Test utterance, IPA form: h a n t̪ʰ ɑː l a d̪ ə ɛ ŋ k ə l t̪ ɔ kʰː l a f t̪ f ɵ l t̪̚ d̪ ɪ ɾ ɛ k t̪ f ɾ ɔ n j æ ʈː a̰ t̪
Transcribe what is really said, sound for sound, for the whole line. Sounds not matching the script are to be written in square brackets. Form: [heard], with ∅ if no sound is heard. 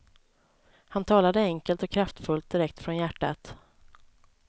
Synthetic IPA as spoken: h a n t̪ʰ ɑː l a d̪ ə ɛ ŋ k ə l t̪ ɔ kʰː [ɾ] a f t̪ f ɵ l t̪̚ d̪ ɪ ɾ ɛ k t̪ f ɾ ɔ n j æ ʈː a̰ t̪

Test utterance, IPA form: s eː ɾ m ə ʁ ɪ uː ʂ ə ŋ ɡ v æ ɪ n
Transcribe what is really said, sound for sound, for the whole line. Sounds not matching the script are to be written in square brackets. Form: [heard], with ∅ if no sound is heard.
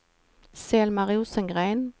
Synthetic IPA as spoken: s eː [l] m [ɑ] ʁ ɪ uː [s] ə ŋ ɡ [ʁ] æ ɪ n

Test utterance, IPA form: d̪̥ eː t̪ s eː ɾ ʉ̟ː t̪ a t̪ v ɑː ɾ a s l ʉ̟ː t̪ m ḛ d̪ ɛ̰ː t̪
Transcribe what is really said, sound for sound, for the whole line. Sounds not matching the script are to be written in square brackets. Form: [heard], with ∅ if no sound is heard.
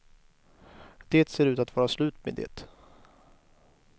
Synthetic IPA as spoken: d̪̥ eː t̪ s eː ɾ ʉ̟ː t̪ a t̪ v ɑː ɾ a s l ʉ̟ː t̪ m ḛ d̪ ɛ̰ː t̪

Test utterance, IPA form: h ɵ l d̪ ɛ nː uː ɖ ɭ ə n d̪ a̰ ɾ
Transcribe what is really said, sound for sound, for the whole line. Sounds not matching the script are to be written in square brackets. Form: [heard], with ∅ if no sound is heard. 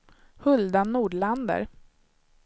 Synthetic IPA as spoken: h ɵ l d̪ [a] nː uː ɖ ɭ [a] n d̪ [ə̰] ɾ

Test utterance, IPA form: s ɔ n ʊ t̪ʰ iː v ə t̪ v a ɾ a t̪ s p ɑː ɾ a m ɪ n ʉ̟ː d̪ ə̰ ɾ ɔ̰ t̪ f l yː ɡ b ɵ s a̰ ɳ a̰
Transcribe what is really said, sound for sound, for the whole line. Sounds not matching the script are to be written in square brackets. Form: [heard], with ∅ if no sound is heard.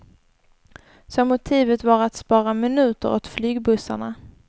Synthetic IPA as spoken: s ɔ [m] ʊ t̪ʰ iː v ə t̪ v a ɾ a t̪ s p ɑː ɾ a m ɪ n ʉ̟ː [t̪] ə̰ ɾ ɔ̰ t̪ f l yː ɡ b ɵ s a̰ ɳ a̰

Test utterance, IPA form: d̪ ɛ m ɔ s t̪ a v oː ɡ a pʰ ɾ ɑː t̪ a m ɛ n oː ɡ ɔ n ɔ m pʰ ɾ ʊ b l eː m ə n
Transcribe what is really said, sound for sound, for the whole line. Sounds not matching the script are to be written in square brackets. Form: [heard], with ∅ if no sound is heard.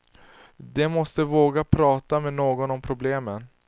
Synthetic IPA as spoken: d̪ ɛ m ɔ s t̪ [ə] v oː ɡ a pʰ ɾ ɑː t̪ a m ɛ n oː ɡ ɔ n ɔ m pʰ ɾ ʊ b l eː m ə n

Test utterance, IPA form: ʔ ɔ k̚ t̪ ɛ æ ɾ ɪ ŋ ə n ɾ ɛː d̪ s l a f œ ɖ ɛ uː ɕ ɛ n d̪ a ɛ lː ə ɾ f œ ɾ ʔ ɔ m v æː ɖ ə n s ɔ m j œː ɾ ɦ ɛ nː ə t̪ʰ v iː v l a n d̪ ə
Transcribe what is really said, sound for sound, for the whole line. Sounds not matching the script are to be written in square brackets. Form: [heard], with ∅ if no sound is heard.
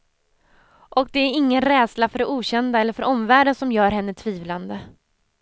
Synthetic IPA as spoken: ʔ ɔ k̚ [d̪] ɛ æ ɾ ɪ [ŋː] ə n ɾ ɛː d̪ s l a f œ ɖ ɛ uː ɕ ɛ n d̪ a ɛ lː ə ɾ f œ ɾ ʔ ɔ m v æː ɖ ə n s ɔ m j œː ɾ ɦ ɛ nː ə t̪ʰ v iː v l a n d̪ ə

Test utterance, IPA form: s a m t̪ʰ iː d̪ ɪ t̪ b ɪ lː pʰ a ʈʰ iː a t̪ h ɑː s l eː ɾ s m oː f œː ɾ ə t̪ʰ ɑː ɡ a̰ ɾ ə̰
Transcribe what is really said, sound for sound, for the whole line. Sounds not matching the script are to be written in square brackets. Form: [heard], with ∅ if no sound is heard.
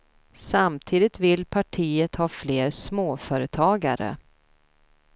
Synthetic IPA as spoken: s a m t̪ʰ iː d̪ ɪ t̪ [v] ɪ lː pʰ a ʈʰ iː [ə] t̪ h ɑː [f] l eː ɾ s m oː f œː ɾ ə t̪ʰ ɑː ɡ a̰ ɾ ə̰

